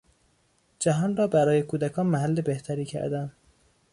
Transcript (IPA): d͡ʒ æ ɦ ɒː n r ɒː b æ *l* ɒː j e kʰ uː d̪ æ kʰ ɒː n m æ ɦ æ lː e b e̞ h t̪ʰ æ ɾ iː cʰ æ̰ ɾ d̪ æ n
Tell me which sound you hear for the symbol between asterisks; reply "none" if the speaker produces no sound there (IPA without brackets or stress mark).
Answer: ɾ